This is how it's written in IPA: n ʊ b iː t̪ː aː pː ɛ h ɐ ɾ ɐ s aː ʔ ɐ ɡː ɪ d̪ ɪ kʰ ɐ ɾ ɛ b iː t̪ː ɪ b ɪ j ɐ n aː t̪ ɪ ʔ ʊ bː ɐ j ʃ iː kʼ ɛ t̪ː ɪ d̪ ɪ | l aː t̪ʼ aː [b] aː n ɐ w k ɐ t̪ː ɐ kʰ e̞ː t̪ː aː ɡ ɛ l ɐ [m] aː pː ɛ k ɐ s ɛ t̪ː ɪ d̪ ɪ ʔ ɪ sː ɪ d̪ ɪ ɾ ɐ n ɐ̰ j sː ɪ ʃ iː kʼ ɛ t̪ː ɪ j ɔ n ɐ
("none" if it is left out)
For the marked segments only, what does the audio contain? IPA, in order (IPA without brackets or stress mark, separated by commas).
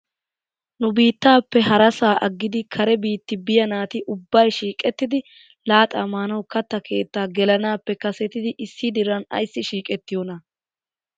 m, n